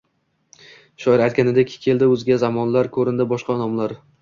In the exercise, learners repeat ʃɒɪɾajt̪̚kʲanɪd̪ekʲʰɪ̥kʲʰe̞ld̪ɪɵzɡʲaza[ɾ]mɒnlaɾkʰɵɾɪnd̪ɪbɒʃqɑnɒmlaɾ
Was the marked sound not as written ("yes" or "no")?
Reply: yes